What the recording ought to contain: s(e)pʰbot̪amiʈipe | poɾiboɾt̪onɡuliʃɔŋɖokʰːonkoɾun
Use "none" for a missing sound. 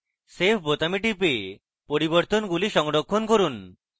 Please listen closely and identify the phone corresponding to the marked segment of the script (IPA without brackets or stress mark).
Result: e